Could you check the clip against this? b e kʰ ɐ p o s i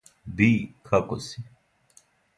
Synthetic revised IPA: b i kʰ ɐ k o s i